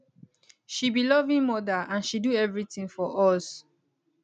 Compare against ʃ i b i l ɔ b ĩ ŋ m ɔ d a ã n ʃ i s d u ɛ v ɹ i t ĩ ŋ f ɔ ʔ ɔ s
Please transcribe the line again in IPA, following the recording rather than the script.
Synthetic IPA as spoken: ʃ i b i l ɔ v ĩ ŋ m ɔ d a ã n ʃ i d u ɛ v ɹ i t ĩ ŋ f ɔ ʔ ɔ s